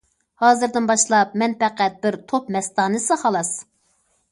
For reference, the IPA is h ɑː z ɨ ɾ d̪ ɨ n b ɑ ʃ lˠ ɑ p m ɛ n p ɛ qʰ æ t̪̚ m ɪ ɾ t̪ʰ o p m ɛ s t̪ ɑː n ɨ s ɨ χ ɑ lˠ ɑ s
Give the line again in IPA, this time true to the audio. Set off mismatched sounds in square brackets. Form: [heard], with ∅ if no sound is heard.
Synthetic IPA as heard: h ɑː z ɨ ɾ d̪ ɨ n b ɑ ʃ lˠ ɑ p m ɛ n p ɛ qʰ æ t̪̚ [b] ɪ ɾ t̪ʰ o p m ɛ s t̪ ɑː n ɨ s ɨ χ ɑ lˠ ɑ s